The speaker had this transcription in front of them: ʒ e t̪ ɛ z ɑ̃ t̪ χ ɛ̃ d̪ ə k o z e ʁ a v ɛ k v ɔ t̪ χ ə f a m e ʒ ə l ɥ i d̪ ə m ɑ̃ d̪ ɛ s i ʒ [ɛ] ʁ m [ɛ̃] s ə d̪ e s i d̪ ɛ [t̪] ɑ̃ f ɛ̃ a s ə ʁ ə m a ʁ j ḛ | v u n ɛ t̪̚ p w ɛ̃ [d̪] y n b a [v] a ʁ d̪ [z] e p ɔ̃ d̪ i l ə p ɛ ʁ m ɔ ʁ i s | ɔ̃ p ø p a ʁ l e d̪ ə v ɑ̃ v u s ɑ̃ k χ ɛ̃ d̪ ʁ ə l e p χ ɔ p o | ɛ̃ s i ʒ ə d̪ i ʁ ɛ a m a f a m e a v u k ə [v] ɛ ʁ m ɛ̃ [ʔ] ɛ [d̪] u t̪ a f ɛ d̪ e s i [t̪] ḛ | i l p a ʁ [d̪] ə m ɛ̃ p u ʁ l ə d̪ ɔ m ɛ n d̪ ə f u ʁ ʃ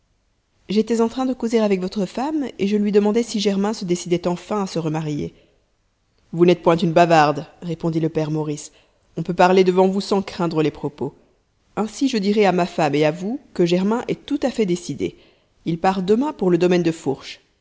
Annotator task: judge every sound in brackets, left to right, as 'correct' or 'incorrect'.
correct, correct, correct, incorrect, correct, incorrect, incorrect, correct, incorrect, incorrect, correct

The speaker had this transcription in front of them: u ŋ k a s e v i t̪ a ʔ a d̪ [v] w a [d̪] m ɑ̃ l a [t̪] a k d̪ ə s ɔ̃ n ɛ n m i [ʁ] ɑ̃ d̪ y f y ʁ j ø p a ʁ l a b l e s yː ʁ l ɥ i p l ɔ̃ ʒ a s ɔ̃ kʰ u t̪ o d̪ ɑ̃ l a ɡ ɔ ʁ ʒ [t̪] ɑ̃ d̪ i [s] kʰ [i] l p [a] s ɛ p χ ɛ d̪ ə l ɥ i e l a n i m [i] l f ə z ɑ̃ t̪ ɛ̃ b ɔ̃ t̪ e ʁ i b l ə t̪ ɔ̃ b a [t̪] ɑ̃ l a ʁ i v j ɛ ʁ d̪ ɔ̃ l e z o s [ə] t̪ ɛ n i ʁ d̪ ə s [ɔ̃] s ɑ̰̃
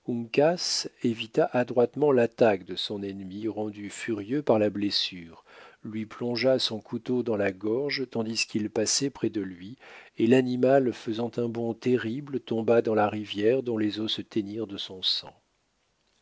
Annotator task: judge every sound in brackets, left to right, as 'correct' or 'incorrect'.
incorrect, incorrect, correct, correct, correct, correct, correct, correct, incorrect, incorrect, correct, correct

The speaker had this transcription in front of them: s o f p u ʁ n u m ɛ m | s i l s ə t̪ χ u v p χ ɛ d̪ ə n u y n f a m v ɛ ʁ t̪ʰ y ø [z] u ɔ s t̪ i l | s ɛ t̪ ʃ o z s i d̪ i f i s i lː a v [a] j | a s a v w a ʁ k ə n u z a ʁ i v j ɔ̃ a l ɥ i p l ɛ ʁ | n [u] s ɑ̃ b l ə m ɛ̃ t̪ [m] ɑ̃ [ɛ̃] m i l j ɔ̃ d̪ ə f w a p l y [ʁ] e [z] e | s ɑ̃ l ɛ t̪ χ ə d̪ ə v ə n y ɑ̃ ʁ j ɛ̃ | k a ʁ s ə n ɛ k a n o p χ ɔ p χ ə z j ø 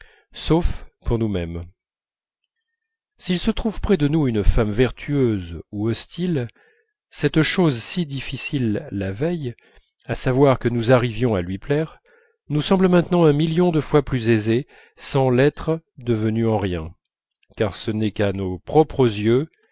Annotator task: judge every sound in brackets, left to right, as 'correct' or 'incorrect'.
correct, incorrect, correct, incorrect, correct, incorrect, correct

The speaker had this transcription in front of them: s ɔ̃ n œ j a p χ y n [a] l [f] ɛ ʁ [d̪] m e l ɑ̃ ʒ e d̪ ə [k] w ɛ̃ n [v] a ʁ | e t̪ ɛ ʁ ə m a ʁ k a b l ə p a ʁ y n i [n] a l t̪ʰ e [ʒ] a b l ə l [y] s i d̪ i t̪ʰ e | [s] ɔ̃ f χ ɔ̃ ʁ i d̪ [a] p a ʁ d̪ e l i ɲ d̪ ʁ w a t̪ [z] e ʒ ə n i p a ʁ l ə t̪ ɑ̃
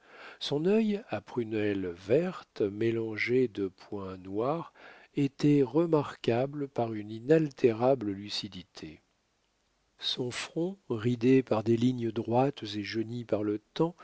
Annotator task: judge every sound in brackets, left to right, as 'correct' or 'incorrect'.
incorrect, incorrect, incorrect, incorrect, incorrect, correct, incorrect, correct, correct, incorrect, correct

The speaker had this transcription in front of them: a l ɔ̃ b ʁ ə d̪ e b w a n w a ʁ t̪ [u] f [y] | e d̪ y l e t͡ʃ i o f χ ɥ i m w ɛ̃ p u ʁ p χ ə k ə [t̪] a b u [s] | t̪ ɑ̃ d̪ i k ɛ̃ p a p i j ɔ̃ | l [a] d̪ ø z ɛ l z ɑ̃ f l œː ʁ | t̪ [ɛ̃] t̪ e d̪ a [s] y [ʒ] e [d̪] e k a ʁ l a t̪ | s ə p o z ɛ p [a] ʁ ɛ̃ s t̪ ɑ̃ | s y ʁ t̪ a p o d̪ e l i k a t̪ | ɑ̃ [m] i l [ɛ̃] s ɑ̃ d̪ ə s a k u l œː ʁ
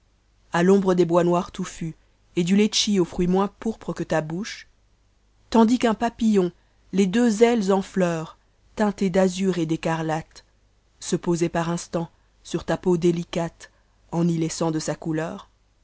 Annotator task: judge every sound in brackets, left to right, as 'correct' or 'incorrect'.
correct, correct, correct, incorrect, incorrect, correct, incorrect, incorrect, correct, correct, incorrect, incorrect

